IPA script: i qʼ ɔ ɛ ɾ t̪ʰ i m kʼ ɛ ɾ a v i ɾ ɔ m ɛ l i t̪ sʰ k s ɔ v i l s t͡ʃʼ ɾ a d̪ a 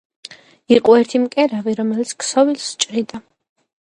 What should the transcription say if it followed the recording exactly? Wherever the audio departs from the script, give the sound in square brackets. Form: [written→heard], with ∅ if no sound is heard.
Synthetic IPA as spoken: i qʼ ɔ ɛ ɾ t̪ʰ i m kʼ ɛ ɾ a v i ɾ ɔ m ɛ l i t̪ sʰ k s ɔ v i l s t͡ʃʼ ɾ [a→i] d̪ a